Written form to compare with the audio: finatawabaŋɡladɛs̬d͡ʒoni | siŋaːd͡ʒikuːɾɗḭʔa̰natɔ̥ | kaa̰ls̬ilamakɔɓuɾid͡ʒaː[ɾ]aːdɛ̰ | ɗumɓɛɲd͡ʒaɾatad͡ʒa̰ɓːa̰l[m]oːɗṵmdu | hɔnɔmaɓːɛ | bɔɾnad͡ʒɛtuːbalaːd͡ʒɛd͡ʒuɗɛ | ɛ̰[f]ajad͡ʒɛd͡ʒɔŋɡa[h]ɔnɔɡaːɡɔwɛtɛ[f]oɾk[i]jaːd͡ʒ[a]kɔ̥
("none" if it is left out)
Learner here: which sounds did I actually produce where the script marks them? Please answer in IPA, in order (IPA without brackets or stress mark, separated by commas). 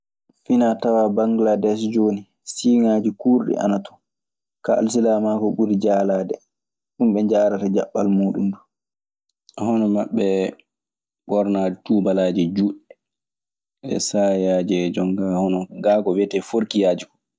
l, m, s, h, f, i, i